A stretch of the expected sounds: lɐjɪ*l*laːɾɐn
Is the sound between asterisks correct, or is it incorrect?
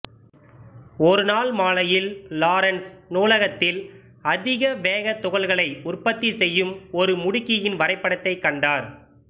correct